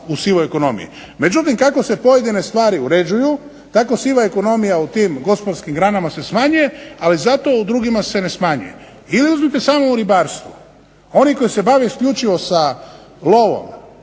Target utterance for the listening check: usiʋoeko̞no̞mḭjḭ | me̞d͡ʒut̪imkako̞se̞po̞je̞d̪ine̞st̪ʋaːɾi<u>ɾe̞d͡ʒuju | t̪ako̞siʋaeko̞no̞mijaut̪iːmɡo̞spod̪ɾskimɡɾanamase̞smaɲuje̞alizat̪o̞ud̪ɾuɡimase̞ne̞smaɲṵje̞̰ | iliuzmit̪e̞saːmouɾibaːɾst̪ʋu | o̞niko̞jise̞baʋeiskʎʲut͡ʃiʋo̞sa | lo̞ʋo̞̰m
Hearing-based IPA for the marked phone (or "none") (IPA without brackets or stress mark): u